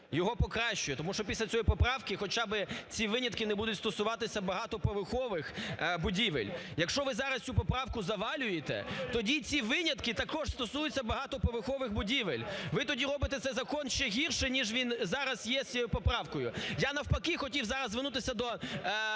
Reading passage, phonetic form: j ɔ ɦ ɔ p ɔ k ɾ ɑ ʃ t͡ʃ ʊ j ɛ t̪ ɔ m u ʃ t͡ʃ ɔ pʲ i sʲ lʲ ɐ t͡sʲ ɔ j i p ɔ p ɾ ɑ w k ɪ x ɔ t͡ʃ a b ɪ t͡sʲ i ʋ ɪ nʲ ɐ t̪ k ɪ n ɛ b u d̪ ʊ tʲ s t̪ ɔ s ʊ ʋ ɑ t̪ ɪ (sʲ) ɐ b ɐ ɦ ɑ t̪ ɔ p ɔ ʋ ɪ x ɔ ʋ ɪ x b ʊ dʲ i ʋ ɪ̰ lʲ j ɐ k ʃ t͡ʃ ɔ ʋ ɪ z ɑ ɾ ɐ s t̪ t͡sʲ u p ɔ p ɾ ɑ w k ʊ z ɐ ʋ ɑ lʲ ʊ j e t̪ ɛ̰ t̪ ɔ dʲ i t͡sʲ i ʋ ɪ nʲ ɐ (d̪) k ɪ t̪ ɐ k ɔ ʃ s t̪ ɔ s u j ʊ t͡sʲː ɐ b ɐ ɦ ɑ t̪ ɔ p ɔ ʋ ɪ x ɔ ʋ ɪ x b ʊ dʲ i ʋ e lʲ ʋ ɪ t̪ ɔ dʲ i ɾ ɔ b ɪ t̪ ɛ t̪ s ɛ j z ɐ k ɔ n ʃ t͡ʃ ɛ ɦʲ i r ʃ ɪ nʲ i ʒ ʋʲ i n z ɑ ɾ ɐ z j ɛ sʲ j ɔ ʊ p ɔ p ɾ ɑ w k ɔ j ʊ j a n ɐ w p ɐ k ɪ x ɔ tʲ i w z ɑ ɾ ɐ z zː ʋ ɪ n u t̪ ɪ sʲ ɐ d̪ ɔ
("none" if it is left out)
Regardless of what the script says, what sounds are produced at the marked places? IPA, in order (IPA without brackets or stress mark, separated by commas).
sʲ, t̪